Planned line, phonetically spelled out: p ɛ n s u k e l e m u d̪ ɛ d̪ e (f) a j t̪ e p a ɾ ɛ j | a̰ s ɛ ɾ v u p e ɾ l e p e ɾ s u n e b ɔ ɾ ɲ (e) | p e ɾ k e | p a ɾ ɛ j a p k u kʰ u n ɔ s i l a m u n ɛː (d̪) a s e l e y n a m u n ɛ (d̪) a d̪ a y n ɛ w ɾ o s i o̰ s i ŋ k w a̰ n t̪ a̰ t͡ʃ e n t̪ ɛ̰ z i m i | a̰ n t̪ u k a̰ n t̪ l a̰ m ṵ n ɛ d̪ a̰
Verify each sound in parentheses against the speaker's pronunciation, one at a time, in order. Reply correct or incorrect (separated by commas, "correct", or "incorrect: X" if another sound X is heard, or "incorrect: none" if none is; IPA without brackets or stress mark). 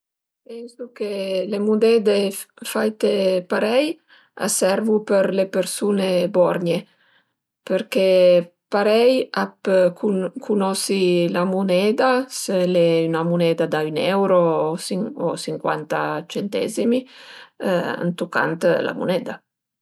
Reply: correct, correct, correct, correct